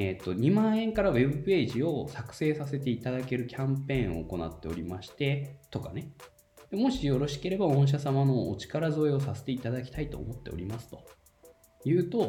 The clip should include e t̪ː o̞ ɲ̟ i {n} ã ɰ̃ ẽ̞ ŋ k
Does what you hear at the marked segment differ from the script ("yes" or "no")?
yes